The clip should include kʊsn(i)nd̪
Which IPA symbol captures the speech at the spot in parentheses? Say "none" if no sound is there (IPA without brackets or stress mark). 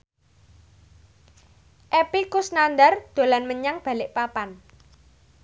a